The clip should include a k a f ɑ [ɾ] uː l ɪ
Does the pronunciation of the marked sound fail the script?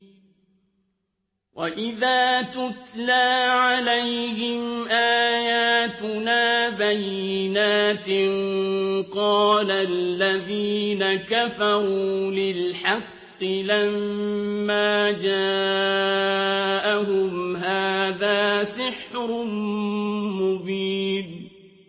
no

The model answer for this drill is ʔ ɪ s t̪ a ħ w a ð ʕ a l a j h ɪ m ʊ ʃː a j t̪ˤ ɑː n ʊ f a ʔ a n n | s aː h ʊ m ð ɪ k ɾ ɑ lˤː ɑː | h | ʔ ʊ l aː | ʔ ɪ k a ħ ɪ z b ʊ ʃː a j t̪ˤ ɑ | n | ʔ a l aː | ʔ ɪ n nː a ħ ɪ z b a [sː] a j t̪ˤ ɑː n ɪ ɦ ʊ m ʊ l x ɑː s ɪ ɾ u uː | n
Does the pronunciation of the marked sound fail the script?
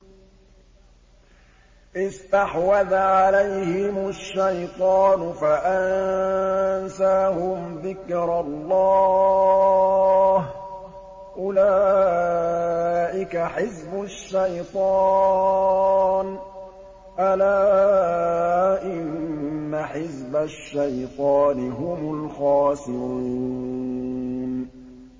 yes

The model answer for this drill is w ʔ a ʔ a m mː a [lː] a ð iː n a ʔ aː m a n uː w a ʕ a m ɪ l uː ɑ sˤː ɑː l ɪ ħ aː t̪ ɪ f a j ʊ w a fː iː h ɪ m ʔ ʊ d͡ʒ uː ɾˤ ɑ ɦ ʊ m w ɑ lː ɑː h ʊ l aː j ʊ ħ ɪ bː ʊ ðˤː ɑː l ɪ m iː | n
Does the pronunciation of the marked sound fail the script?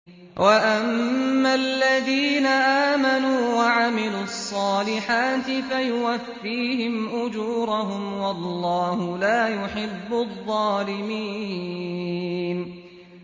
no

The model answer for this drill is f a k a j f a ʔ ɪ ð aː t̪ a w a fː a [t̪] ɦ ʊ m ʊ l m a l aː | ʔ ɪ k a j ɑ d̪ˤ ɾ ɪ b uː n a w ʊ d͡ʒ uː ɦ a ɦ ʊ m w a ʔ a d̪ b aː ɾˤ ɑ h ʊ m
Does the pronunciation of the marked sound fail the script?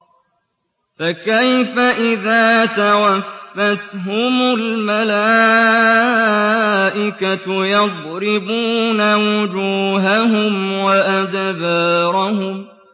no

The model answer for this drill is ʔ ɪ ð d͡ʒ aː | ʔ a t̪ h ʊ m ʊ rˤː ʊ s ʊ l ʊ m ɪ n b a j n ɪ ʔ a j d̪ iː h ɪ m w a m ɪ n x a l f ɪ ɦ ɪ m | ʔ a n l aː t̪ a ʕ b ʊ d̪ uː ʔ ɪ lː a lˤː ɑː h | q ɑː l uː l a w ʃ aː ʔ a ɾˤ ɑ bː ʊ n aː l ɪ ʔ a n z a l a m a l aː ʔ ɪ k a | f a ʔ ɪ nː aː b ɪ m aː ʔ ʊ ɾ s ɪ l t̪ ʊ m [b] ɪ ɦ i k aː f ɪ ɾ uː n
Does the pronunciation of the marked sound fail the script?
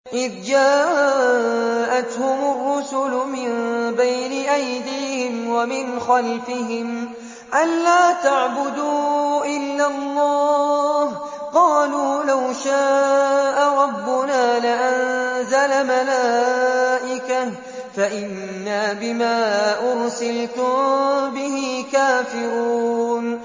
no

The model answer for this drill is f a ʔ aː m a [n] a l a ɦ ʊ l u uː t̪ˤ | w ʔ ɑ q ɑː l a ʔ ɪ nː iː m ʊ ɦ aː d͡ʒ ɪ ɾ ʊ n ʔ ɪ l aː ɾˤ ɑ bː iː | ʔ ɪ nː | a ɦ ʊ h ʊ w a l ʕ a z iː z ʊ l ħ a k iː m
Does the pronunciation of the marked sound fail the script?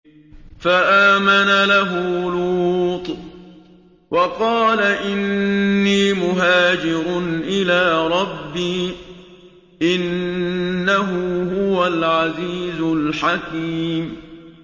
no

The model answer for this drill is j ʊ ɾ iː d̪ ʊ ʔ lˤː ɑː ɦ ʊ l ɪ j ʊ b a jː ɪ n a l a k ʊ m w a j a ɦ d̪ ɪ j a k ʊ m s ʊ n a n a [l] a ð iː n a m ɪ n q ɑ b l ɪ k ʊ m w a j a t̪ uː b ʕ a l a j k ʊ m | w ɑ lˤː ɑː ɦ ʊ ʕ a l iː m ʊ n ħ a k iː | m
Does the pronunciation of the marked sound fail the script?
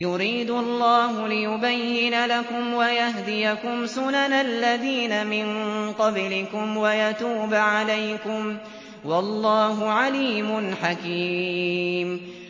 yes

